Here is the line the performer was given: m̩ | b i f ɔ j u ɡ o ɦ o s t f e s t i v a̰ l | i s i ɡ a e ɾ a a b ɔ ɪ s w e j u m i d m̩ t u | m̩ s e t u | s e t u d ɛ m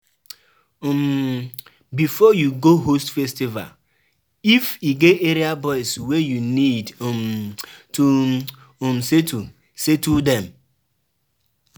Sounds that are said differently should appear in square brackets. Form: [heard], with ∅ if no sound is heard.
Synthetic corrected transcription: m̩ | b i f ɔ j u ɡ o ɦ o s t f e s t i v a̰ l | i [f] i ɡ [e] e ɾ [i] a b ɔ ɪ s w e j u [n] i d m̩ t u | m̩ s e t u | s e t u d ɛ m